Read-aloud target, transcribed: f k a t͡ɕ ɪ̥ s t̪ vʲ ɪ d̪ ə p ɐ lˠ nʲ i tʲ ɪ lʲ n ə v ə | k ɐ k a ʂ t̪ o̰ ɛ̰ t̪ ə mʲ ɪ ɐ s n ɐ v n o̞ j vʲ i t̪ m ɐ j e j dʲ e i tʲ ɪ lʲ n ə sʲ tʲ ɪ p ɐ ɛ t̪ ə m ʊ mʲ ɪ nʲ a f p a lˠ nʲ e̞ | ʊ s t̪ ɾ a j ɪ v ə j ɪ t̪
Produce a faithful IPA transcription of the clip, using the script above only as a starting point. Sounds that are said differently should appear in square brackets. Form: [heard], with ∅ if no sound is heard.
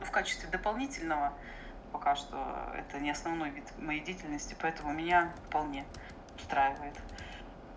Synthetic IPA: f k a t͡ɕ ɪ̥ s t̪ vʲ ɪ d̪ ə p ɐ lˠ nʲ i tʲ ɪ lʲ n ə v ə | [p] ɐ k a ʂ t̪ o̰ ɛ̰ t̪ ə [nʲ] ɪ ɐ s n ɐ v n o̞ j vʲ i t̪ m ɐ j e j dʲ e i tʲ ɪ lʲ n ə sʲ tʲ ɪ p ɐ ɛ t̪ ə m ʊ mʲ ɪ nʲ a f p [ɐ] lˠ nʲ e̞ | ʊ s t̪ ɾ a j ɪ v ə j ɪ t̪

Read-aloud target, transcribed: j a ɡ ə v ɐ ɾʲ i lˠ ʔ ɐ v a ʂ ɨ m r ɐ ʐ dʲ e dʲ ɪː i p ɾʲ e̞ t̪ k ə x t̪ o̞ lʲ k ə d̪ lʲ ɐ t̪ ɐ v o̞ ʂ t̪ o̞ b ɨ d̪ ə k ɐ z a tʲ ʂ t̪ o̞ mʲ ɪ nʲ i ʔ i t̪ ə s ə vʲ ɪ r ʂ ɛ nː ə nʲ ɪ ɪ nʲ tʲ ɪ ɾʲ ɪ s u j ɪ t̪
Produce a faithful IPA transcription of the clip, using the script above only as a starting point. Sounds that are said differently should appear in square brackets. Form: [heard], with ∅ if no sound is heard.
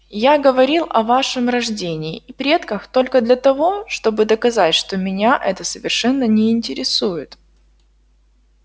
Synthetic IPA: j a ɡ ə v ɐ ɾʲ i lˠ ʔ ɐ v a ʂ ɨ m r ɐ ʐ dʲ e [nʲ] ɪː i p ɾʲ e̞ t̪ k ə x t̪ o̞ lʲ k ə d̪ lʲ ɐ t̪ ɐ v o̞ ʂ t̪ o̞ b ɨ d̪ ə k ɐ z a tʲ ʂ t̪ o̞ mʲ ɪ nʲ [a] ʔ [ɛ] t̪ ə s ə vʲ ɪ r ʂ ɛ nː ə nʲ ɪ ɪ nʲ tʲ ɪ ɾʲ ɪ s u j ɪ t̪

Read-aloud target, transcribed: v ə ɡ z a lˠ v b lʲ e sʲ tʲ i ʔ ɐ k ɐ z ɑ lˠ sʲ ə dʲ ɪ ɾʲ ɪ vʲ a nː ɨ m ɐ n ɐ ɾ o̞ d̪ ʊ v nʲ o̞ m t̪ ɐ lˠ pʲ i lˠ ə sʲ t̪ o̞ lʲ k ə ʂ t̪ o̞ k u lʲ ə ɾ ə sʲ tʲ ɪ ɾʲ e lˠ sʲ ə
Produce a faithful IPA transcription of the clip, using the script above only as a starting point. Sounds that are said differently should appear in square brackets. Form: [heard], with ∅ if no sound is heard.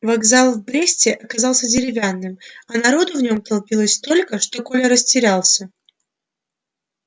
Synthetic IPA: v [ɐ] ɡ z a lˠ v b [ɾʲ] e sʲ tʲ [ɪ] ʔ ɐ k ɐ z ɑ lˠ sʲ ə dʲ ɪ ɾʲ ɪ vʲ a nː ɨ m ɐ n ɐ ɾ o̞ d̪ ʊ v nʲ o̞ m t̪ ɐ lˠ pʲ i lˠ ə sʲ t̪ o̞ lʲ k ə ʂ t̪ o̞ k [o] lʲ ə ɾ ə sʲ tʲ ɪ ɾʲ [a] lˠ sʲ ə

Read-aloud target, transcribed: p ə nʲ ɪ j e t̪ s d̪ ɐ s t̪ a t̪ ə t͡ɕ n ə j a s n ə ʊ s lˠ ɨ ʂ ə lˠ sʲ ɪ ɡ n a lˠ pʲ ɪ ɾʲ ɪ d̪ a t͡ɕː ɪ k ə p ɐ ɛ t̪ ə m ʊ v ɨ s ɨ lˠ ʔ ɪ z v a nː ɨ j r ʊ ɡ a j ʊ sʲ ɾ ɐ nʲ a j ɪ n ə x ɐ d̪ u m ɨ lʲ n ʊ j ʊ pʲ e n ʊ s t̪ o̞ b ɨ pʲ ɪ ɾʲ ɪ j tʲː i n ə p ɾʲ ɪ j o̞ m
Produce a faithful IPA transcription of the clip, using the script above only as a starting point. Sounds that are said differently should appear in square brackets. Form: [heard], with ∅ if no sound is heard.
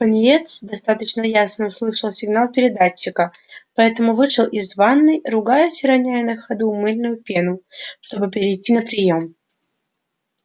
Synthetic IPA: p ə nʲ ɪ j e t̪ s d̪ ɐ s t̪ a t̪ ə t͡ɕ n ə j a s n ə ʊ s lˠ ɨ ʂ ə lˠ sʲ ɪ ɡ n a lˠ pʲ ɪ ɾʲ ɪ d̪ a t͡ɕː ɪ k ə p ɐ ɛ t̪ ə m ʊ v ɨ [ʂ] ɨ lˠ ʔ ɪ z v a nː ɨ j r ʊ ɡ a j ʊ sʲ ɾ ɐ nʲ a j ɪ n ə x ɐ d̪ u m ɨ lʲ n ʊ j ʊ pʲ e n ʊ [ʂ] t̪ o̞ b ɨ pʲ ɪ ɾʲ ɪ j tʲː i n ə p ɾʲ ɪ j o̞ m

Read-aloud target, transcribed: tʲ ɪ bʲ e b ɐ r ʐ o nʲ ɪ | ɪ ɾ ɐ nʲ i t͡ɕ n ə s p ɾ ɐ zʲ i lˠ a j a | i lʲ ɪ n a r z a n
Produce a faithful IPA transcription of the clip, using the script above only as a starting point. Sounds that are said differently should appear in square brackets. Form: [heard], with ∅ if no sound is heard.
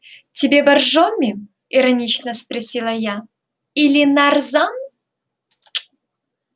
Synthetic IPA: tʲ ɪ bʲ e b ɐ r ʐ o [mʲ] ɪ | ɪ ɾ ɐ nʲ i t͡ɕ n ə s p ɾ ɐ [sʲ] i lˠ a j a | i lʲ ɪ n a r z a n

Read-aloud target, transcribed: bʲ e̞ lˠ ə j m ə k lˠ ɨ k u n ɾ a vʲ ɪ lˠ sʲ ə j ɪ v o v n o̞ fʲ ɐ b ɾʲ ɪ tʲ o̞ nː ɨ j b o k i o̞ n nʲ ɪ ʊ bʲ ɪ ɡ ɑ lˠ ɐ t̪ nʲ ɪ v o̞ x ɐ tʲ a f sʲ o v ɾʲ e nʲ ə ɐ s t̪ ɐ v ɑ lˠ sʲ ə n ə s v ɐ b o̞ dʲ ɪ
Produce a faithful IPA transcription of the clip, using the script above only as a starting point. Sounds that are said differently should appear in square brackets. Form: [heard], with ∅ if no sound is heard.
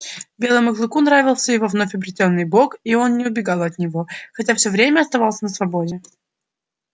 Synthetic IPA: bʲ e̞ lˠ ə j m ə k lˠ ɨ k u n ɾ a vʲ ɪ lˠ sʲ ə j ɪ v o v n o̞ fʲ ɐ b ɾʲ ɪ tʲ o̞ nː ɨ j b o k i o̞ n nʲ ɪ ʊ bʲ ɪ ɡ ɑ lˠ ɐ t̪ nʲ ɪ v o̞ x ɐ tʲ a f sʲ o v ɾʲ e [mʲ] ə ɐ s t̪ ɐ v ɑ lˠ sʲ ə n ə s v ɐ b o̞ dʲ ɪ

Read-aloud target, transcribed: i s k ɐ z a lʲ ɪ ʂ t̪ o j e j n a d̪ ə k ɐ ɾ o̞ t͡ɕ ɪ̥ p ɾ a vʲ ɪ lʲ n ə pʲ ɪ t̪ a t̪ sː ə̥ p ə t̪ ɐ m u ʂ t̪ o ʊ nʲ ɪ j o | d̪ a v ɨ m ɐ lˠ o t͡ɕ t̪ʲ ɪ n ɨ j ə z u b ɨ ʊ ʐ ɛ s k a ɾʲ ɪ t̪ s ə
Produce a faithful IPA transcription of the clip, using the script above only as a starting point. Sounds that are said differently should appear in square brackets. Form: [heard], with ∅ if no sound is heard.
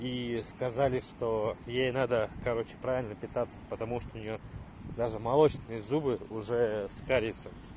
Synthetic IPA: i s k ɐ z a lʲ ɪ ʂ t̪ o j e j n a d̪ ə k ɐ ɾ o̞ t͡ɕ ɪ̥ p ɾ a vʲ ɪ lʲ n ə pʲ ɪ t̪ a t̪ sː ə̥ p ə t̪ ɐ m u ʂ t̪ o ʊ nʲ ɪ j o | d̪ a [ʐ] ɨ m ɐ lˠ o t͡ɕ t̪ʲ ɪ n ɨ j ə z u b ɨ ʊ ʐ ɛ s k a ɾʲ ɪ t̪ s ə

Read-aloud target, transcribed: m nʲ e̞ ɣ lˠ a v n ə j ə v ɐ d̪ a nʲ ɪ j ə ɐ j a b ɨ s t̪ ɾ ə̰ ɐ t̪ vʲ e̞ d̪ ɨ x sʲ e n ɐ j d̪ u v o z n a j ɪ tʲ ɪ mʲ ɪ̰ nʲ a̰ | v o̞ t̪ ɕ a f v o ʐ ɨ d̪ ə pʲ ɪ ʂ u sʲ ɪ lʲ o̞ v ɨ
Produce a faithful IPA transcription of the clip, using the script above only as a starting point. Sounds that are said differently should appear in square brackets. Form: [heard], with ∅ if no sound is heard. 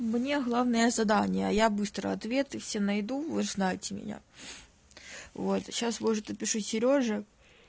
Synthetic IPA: m nʲ e̞ ɣ lˠ a v n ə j ə [z] ɐ d̪ a nʲ ɪ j ə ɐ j a b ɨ s t̪ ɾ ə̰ ɐ t̪ vʲ e̞ [t̪] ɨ [f] sʲ e n ɐ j d̪ u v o z n a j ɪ tʲ ɪ mʲ ɪ̰ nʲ a̰ | v o̞ t̪ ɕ a [s] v o ʐ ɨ [t̪] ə pʲ ɪ ʂ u sʲ ɪ [ɾʲ] o̞ [ʐ] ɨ

